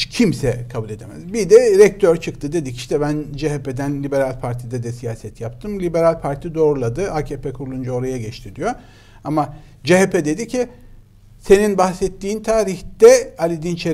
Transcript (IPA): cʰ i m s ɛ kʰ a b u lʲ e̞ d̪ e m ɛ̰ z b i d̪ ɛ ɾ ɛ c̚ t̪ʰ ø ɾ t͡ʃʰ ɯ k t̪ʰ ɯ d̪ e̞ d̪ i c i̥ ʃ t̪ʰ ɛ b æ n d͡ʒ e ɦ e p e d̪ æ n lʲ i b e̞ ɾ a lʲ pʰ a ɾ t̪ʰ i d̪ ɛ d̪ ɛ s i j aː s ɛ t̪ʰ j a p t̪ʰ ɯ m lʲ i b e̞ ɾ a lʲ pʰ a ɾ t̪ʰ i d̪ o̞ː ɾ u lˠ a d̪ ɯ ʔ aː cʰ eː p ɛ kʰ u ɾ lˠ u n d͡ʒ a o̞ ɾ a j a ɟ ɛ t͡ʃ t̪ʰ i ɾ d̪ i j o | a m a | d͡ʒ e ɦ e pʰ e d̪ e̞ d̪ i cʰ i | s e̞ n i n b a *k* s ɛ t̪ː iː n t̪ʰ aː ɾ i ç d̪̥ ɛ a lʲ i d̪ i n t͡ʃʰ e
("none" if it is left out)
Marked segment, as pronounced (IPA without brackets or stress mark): x